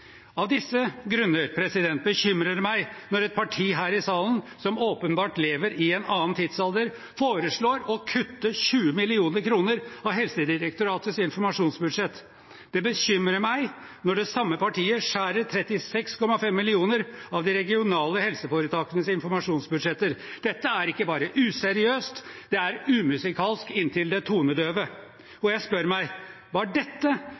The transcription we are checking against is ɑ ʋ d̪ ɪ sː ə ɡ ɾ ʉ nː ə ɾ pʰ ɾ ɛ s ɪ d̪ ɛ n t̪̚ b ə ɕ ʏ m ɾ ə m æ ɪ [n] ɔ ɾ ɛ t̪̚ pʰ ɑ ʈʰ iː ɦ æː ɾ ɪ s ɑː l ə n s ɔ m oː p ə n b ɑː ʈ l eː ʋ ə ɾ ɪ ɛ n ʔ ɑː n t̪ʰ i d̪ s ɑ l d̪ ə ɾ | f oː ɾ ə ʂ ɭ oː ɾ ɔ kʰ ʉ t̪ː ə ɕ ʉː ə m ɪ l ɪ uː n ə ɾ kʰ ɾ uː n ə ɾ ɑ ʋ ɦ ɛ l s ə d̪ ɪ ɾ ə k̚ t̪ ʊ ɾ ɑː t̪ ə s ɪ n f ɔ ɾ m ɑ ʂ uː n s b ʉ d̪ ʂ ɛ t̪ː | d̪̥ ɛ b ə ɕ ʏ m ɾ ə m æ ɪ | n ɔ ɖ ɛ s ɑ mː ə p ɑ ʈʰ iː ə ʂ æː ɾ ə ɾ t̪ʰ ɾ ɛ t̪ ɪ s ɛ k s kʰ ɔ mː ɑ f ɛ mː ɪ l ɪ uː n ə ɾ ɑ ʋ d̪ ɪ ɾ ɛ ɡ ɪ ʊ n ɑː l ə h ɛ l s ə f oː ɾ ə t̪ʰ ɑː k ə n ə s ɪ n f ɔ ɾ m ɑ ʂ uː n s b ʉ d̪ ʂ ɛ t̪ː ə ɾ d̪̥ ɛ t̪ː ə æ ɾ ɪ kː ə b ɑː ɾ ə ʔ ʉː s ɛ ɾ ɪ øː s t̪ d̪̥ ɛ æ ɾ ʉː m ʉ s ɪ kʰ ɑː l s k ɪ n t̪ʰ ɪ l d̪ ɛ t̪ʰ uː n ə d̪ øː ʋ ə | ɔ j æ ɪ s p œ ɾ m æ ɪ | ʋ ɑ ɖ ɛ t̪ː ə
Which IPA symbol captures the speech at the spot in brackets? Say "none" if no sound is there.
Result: n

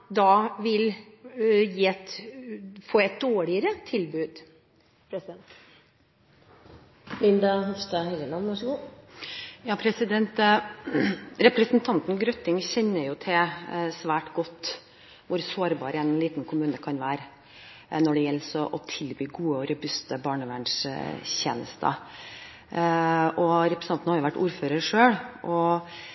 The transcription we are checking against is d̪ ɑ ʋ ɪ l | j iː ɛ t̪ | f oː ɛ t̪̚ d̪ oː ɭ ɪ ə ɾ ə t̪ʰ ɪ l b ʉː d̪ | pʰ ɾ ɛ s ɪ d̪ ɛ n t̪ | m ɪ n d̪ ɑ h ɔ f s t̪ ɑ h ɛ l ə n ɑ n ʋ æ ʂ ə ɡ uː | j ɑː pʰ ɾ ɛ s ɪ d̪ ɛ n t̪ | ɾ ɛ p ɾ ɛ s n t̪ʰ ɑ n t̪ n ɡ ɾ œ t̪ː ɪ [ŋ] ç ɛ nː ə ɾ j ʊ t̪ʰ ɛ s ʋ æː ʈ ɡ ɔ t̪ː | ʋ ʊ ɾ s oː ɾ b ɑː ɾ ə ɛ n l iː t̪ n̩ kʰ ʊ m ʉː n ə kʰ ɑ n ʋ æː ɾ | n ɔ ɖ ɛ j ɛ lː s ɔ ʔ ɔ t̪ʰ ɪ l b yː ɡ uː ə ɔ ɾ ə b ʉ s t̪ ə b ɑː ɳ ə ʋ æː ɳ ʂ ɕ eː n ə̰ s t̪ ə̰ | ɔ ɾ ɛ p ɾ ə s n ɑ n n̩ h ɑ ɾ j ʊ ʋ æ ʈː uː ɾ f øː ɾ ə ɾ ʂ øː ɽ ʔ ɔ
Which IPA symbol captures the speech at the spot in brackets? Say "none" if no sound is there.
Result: ŋ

